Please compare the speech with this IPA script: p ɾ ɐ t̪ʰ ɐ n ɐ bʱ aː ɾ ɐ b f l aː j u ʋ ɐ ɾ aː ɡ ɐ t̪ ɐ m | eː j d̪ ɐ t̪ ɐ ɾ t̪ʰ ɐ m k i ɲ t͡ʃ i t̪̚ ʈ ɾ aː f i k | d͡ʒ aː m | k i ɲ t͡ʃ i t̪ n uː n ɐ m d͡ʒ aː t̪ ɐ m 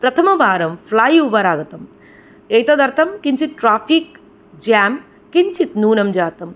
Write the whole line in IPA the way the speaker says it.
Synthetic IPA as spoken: p ɾ ɐ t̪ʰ ɐ m ɐ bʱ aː ɾ ɐ m f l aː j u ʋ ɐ ɾ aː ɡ ɐ t̪ ɐ m | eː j t̪ ɐ d̪ ɐ ɾ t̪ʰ ɐ m k i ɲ t͡ʃ i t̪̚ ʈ ɾ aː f i k | d͡ʒ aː m | k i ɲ t͡ʃ i t̪ n uː n ɐ m d͡ʒ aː t̪ ɐ m